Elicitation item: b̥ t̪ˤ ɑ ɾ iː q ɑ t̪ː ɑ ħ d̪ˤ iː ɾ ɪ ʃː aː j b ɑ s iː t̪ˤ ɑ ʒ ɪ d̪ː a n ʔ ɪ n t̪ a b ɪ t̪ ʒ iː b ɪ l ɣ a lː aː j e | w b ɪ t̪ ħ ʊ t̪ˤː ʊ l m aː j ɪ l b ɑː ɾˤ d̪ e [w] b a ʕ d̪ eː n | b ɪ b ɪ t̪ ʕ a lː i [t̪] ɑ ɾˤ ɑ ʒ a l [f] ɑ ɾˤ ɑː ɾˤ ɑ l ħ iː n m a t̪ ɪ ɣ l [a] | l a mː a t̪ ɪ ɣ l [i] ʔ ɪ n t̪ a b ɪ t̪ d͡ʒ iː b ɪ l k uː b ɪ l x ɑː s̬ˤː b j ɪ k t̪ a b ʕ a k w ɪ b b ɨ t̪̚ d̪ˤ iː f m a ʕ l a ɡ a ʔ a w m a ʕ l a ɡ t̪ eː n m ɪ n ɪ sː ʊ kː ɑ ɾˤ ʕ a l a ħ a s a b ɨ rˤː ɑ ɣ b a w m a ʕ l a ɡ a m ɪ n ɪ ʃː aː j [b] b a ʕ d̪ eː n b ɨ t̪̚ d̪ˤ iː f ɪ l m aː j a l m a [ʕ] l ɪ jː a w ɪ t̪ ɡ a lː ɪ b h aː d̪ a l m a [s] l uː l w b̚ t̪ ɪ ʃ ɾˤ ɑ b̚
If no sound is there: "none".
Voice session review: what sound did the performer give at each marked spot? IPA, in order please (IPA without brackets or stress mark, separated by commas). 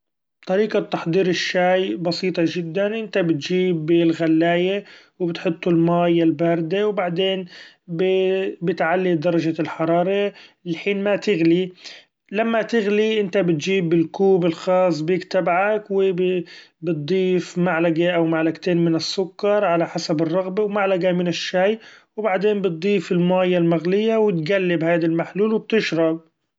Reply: w, d̪, ħ, i, i, w, ɣ, ħ